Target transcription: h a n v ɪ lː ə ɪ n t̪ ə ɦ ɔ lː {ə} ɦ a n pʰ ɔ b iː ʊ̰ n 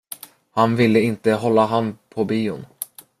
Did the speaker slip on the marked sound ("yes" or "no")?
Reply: yes